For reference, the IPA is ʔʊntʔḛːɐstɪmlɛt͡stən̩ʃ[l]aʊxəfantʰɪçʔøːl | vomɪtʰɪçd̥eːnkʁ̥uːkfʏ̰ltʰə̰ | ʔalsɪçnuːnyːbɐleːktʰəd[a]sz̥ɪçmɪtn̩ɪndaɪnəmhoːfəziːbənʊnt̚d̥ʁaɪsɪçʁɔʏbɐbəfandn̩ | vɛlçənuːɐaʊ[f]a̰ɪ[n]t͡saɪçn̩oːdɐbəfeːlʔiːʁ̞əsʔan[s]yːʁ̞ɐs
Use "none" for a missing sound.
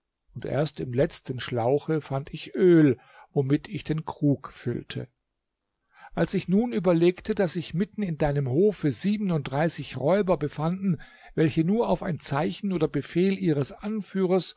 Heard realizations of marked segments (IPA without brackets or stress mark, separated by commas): l, a, f, n, f